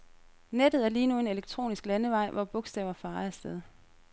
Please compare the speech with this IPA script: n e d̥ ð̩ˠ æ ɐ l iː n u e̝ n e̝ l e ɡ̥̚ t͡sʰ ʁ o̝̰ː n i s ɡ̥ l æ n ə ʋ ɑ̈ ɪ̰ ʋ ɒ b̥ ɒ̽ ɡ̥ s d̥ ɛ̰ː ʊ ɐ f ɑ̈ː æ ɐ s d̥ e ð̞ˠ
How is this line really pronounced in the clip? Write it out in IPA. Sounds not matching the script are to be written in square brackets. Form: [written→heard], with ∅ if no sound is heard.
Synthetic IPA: n e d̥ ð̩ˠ æ ɐ l iː n u e̝ n e̝ l e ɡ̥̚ t͡sʰ ʁ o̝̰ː n i s ɡ̥ l æ n ə ʋ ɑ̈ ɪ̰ ʋ ɒ b̥ [ɒ̽→ɔ̽] ɡ̥ s d̥ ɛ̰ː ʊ ɐ f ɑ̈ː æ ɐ s d̥ e ð̞ˠ